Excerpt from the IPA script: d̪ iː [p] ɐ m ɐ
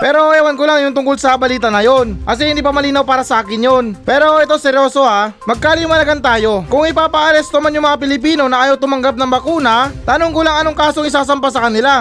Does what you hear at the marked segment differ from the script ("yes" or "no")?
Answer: no